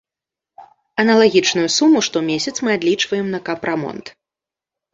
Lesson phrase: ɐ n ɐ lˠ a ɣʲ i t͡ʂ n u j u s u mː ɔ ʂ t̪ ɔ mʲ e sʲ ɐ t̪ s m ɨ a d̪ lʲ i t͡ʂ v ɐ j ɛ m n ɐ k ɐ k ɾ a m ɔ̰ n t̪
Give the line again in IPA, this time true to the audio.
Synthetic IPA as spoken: ɐ n ɐ lˠ a ɣʲ i t͡ʂ n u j u s u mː u ʂ t̪ ɔ mʲ e sʲ ɐ t̪ s m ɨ a d̪ lʲ i t͡ʂ v ɐ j ɛ m n ɐ k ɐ p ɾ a m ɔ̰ n t̪